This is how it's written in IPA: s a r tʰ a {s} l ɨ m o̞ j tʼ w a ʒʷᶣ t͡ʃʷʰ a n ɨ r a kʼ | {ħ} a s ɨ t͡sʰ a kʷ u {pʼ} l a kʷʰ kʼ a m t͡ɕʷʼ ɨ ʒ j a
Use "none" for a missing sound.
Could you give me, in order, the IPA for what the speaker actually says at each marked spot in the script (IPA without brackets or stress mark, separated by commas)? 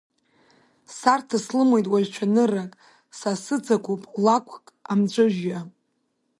s, s, pʼ